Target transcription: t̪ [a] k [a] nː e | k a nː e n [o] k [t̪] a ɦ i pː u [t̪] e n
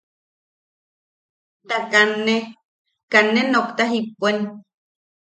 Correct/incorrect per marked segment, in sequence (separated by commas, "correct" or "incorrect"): correct, correct, correct, correct, incorrect